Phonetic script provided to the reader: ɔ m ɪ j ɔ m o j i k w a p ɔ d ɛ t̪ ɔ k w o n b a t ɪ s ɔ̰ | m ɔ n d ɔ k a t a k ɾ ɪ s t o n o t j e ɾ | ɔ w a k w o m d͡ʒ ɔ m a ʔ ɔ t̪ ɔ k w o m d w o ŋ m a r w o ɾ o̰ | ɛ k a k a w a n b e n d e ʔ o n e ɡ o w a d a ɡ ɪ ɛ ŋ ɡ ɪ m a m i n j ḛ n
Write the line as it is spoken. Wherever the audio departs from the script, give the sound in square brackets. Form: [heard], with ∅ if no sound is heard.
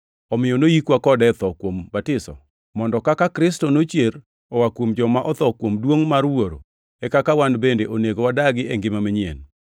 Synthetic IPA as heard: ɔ m ɪ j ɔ [n] o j i k w a [k] ɔ d ɛ t̪ ɔ k w o [m] b a t ɪ s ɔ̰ | m ɔ n d ɔ k a [k] a k ɾ ɪ s t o n o [t͡ʃ] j e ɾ | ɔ w a k w o m d͡ʒ ɔ m a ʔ ɔ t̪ ɔ k w o m d w o ŋ m a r w o ɾ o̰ | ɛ k a k a w a n b e n d e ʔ o n e ɡ o w a d a ɡ ɪ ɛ ŋ ɡ ɪ m a m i [ɲ] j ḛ n